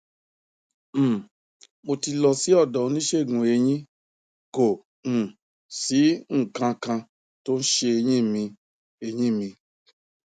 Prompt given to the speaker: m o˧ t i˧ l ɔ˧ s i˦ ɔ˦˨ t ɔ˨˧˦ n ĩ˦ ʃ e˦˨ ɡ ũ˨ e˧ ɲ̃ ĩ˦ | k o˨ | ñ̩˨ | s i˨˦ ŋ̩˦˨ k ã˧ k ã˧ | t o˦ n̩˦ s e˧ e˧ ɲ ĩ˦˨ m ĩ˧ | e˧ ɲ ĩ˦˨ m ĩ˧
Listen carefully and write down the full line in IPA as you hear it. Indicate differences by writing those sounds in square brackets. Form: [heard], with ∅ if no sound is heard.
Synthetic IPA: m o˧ t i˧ l ɔ˧ s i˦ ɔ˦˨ [d] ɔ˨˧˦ n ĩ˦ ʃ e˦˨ ɡ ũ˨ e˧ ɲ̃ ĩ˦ | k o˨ | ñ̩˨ | s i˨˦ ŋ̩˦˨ k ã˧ k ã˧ | t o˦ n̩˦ [ʃ] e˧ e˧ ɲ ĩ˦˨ m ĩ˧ | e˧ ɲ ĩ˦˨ m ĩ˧